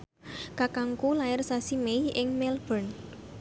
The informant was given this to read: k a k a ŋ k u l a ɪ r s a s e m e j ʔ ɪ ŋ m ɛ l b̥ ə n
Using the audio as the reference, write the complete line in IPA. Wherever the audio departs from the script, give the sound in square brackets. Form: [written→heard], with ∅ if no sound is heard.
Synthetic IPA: k a k a ŋ k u l a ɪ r s a s [e→i] m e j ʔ ɪ ŋ m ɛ l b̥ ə n